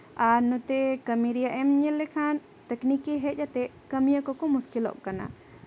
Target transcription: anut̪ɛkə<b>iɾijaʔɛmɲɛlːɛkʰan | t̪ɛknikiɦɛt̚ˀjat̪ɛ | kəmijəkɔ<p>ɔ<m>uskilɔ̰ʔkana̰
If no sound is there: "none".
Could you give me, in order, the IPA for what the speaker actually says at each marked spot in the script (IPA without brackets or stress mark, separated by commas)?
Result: m, k, m